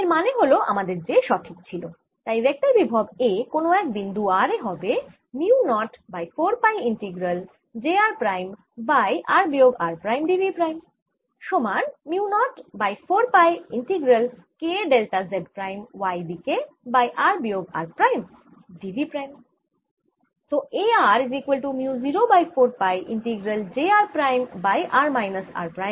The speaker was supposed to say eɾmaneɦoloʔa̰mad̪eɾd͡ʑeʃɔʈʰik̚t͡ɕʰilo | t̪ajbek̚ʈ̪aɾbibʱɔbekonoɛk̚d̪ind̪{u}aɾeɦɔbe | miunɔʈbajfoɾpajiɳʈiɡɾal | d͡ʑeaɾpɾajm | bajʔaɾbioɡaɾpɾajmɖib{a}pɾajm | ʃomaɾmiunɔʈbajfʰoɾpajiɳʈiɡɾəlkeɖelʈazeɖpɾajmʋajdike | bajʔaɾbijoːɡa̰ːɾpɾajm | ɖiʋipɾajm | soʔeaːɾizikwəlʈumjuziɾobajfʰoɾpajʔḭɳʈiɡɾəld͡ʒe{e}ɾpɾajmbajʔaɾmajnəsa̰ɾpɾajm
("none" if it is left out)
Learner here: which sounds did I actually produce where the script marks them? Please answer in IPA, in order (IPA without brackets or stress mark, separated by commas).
u, i, a